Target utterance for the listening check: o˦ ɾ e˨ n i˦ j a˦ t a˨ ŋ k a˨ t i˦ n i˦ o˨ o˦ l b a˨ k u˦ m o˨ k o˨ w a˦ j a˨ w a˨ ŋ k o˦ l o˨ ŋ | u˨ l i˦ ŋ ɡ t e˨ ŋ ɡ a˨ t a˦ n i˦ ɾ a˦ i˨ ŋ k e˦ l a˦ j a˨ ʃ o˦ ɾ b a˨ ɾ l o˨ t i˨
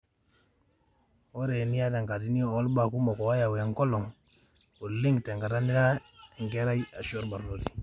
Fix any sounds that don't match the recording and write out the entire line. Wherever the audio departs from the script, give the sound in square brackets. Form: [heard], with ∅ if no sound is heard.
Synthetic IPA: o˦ ɾ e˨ n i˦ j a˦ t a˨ ŋ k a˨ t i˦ n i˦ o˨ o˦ l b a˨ k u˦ m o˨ k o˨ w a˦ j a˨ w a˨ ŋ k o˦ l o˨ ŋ | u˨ l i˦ ŋ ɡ t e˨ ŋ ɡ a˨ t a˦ n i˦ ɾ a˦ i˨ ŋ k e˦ [ɾ] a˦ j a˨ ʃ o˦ ɾ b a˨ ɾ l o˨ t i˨

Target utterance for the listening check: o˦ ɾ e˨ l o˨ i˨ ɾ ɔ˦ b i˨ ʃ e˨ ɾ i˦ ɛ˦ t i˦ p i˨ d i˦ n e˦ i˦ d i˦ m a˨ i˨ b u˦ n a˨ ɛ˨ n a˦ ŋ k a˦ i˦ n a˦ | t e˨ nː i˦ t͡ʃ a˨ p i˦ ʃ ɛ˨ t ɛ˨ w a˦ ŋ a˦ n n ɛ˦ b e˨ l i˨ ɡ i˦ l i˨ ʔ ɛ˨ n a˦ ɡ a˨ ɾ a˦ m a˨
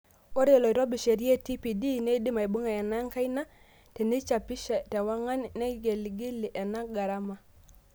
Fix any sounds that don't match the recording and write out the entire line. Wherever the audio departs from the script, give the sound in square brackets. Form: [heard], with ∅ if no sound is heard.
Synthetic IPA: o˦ ɾ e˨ l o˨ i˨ ɾ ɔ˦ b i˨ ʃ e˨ ɾ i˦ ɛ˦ t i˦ p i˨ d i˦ n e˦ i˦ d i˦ m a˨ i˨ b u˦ [ŋ] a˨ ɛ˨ n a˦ ŋ k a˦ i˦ n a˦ | t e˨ [n] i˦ t͡ʃ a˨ p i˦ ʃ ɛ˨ t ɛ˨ w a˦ ŋ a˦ n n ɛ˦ [ɡ] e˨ l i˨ ɡ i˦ l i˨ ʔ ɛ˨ n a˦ ɡ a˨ ɾ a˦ m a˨

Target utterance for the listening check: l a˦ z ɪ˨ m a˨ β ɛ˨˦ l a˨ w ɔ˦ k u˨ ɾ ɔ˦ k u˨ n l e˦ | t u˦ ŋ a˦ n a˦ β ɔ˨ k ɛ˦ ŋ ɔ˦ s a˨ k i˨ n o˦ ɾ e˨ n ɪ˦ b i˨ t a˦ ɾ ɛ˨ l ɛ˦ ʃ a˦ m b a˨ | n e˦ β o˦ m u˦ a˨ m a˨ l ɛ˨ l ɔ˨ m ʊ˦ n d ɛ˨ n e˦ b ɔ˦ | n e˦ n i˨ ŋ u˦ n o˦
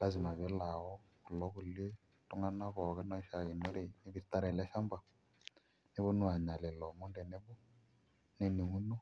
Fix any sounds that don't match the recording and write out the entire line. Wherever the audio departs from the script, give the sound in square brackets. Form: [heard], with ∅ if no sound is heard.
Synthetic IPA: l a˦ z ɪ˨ m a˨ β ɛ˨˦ l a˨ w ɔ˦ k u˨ [l] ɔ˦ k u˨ [∅] l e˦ | t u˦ ŋ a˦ n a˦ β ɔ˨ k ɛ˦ [n] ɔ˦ [ʃ] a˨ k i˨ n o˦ ɾ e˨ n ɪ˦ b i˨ t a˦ ɾ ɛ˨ l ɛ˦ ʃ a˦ m b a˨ | n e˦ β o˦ [n] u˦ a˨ [ɲ] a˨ l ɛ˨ l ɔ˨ m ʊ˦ n d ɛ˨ n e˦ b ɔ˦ | n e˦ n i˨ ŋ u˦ n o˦

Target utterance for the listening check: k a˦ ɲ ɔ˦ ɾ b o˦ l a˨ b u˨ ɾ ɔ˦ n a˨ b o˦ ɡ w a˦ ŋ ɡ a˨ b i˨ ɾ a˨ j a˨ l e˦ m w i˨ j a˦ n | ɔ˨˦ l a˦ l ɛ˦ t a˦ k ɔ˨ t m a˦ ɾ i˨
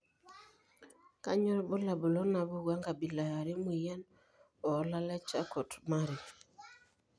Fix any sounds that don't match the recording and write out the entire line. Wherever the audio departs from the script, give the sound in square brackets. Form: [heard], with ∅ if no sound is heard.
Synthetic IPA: k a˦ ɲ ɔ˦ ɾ b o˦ l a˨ b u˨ [l] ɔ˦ n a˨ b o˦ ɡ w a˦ ŋ ɡ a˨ b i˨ [l] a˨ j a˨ [ɾ] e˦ m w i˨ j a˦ n | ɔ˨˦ l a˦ l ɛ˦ [t͡ʃ] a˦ k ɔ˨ t m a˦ ɾ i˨

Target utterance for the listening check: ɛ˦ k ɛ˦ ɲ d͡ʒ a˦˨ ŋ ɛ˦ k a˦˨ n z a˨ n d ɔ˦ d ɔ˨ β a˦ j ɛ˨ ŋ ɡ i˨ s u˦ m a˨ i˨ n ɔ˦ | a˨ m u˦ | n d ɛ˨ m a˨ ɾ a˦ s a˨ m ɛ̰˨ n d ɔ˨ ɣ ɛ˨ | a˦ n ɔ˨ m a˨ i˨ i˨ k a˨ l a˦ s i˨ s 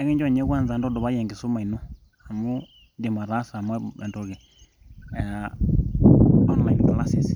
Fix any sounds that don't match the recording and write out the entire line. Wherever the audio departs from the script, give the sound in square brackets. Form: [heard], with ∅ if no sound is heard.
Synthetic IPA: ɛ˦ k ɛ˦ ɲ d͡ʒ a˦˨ [ɲ] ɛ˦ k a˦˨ n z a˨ n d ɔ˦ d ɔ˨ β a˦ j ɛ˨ ŋ ɡ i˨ s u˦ m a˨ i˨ n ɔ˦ | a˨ m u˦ | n d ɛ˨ m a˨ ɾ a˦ s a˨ m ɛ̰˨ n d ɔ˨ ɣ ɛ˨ | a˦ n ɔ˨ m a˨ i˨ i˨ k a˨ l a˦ s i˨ s

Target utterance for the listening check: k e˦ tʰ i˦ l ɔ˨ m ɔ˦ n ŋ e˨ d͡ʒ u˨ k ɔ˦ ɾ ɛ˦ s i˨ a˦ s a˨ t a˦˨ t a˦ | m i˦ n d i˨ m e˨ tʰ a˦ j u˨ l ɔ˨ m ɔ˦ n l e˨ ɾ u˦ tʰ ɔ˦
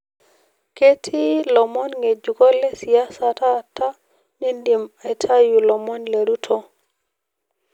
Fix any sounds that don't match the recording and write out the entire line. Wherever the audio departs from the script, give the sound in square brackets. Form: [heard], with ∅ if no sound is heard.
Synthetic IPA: k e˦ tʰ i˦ l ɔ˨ m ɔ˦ n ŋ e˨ d͡ʒ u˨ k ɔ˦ [l] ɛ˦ s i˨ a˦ s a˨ t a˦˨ t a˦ | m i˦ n d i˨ m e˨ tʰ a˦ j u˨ l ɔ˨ m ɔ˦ n l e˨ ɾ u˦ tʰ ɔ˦

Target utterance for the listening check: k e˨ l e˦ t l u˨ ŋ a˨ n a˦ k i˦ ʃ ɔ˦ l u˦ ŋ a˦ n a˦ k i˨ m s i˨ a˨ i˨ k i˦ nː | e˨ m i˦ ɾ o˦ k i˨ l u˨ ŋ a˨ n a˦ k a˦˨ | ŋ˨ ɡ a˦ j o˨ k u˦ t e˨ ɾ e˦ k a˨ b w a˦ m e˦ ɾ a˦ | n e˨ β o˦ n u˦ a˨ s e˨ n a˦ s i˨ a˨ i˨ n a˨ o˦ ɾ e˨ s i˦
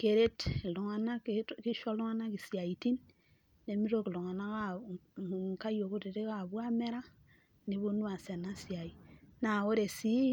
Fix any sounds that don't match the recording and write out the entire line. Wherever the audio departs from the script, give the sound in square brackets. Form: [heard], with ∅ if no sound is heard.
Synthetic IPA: k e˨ [ɾ] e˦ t l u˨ ŋ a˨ n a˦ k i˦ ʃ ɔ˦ l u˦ ŋ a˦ n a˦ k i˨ [∅] s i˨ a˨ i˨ [t] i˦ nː | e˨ m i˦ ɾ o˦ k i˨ l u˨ ŋ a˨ n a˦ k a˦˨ | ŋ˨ [k] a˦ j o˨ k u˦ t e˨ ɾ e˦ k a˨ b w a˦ m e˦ ɾ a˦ | n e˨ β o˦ n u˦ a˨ s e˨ n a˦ s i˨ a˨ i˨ n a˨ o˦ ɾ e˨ s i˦

